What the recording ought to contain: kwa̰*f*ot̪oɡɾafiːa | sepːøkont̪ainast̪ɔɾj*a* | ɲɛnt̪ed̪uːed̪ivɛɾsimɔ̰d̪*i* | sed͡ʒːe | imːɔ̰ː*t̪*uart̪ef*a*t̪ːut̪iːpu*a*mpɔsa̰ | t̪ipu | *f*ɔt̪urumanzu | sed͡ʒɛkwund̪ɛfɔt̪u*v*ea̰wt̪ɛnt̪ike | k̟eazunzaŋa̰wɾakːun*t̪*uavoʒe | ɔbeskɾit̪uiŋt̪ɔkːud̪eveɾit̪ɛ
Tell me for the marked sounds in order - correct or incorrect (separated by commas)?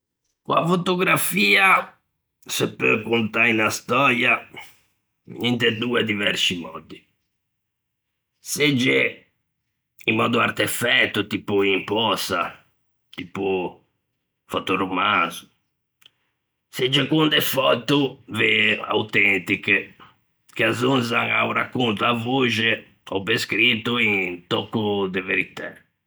correct, correct, correct, incorrect, incorrect, incorrect, correct, correct, correct